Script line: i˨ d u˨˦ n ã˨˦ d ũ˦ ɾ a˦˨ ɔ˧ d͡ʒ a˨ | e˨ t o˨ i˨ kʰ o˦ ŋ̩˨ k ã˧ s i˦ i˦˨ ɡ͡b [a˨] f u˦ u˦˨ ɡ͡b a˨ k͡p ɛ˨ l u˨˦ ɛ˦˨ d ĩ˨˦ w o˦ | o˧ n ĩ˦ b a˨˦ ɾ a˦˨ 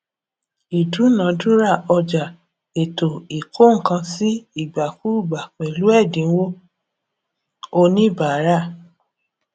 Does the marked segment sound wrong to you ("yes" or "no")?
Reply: no